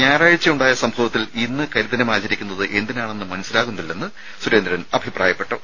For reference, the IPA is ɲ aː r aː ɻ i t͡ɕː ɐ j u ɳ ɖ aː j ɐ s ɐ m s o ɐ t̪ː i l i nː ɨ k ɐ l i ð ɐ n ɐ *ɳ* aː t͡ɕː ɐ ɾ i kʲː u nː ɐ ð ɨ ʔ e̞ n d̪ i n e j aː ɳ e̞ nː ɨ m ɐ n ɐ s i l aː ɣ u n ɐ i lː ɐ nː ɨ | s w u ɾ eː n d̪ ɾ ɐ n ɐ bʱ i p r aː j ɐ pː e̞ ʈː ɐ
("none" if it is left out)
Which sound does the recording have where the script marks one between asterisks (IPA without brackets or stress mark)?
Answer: m